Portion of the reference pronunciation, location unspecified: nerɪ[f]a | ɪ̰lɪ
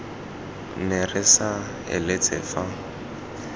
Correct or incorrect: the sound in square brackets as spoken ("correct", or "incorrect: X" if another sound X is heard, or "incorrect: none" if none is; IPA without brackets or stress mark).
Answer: incorrect: s